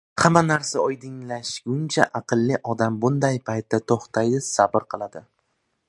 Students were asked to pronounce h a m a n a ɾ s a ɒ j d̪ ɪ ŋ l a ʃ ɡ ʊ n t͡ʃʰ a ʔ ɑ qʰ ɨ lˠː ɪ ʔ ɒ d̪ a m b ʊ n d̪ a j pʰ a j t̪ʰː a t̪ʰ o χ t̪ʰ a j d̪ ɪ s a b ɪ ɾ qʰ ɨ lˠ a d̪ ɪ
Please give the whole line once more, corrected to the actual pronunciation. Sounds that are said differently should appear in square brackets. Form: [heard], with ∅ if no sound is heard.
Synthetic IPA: h a m a n a ɾ s a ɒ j d̪ ɪ ŋ l a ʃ ɡ ʊ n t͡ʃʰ a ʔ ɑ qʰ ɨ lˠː ɪ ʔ ɒ d̪ a m b ʊ n d̪ a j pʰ a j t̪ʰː a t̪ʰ o χ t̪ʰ a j d̪ ɪ s a b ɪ ɾ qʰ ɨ lˠ a d̪ ɪ